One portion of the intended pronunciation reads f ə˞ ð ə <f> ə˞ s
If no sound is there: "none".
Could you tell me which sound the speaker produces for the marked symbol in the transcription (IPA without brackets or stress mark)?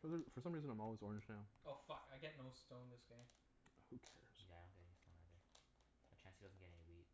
f